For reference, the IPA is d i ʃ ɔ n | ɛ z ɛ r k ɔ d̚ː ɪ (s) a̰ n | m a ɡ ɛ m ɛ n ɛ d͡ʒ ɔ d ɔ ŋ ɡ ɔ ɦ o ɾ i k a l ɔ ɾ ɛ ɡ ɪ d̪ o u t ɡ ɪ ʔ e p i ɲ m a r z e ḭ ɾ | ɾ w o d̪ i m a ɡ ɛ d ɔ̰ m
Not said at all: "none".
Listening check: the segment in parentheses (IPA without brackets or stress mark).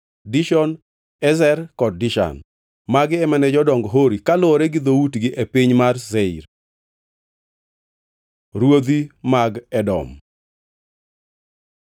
ʃ